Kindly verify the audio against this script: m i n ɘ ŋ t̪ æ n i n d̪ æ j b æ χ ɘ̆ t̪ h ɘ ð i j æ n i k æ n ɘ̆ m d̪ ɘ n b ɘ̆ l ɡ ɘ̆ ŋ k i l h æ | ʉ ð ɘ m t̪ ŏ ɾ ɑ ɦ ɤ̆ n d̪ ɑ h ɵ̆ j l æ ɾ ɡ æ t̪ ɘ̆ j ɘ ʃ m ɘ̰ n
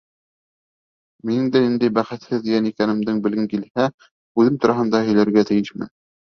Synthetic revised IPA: m i n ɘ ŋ d̪ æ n i n d̪ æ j b æ χ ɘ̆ t̪ h ɘ ð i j æ n i k æ n ɘ̆ m d̪ ɘ ŋ b ɘ̆ l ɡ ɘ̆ ŋ k i l h æ | ʉ ð ɘ m t̪ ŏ ɾ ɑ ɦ ɤ̆ n d̪ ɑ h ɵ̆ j l æ ɾ ɡ æ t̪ ɘ̆ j ɘ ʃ m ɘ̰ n